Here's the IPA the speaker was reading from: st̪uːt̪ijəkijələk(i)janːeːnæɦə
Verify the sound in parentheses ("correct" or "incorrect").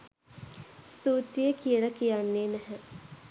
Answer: correct